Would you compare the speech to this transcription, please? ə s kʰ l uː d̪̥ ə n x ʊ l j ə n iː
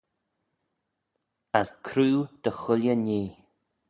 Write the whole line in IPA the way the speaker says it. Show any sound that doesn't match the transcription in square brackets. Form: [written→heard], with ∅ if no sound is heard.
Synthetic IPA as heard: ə s kʰ [l→ɾ] uː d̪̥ ə [n→∅] x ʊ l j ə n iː

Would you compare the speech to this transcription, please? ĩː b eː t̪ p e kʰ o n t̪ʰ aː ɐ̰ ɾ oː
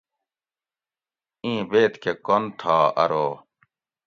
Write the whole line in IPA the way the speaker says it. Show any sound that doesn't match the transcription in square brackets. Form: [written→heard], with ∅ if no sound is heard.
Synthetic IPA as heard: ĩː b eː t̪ [p→k] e [kʰ→k] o n t̪ʰ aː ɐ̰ ɾ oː

